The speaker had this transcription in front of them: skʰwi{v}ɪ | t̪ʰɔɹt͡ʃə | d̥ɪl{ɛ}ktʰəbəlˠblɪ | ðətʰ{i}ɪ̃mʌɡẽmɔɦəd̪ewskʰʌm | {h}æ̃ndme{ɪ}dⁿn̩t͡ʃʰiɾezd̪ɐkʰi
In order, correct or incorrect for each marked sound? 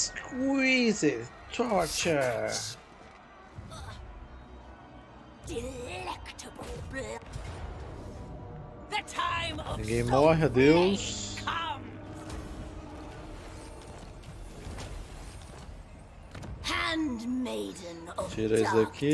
incorrect: z, correct, incorrect: a, correct, correct

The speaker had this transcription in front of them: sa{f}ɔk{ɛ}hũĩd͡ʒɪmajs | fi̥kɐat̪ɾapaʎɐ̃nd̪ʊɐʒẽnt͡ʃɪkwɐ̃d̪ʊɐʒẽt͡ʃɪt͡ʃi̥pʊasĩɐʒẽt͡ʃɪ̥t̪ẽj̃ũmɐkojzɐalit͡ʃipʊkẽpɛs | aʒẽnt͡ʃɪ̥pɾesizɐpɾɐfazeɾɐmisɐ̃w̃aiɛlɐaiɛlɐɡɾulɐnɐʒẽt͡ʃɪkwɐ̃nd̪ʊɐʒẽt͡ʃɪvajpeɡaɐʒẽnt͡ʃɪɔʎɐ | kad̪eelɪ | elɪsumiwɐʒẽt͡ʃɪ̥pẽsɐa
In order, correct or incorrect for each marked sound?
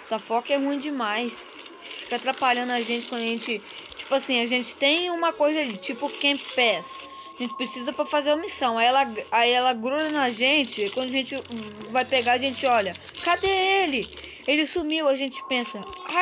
correct, correct

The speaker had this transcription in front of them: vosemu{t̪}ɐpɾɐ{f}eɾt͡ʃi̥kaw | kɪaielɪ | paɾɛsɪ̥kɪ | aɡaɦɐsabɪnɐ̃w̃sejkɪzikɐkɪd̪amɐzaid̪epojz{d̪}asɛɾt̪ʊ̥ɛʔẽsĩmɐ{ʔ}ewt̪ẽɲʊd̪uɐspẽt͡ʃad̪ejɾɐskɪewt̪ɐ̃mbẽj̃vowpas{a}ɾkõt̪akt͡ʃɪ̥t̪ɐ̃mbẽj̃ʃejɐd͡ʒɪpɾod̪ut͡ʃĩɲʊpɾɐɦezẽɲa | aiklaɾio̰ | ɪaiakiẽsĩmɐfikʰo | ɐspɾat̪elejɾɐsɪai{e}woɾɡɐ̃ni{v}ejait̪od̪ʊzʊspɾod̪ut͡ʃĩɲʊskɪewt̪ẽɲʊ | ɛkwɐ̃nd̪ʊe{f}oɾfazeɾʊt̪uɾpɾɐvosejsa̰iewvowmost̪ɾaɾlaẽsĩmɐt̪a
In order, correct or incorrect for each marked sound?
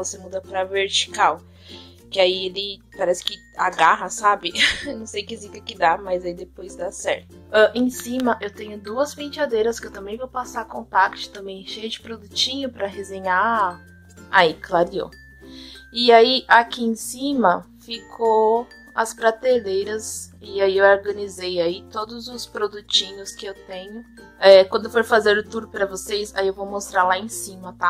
incorrect: d̪, incorrect: v, correct, correct, correct, correct, incorrect: z, correct

